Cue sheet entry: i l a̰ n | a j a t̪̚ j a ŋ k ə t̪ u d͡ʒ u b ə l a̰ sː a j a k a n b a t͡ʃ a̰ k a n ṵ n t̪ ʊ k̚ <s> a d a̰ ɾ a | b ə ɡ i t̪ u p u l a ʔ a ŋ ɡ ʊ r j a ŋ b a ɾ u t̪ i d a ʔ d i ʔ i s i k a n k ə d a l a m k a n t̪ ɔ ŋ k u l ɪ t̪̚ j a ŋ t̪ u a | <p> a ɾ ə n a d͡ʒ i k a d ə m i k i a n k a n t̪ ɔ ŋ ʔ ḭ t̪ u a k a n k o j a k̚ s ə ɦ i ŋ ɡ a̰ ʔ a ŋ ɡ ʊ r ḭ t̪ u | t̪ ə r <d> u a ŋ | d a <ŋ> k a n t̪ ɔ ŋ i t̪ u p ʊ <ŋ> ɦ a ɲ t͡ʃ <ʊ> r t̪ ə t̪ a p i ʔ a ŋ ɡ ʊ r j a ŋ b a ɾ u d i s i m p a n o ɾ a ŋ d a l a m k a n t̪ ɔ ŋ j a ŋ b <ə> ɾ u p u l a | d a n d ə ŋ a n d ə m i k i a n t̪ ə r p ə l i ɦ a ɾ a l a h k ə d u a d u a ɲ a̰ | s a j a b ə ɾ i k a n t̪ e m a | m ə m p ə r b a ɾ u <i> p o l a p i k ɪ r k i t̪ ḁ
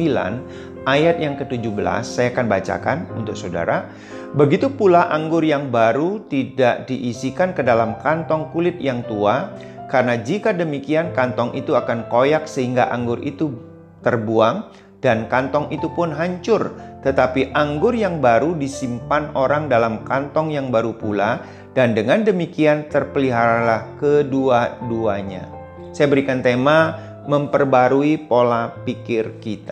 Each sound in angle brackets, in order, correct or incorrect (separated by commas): correct, incorrect, incorrect, incorrect, incorrect, correct, incorrect, correct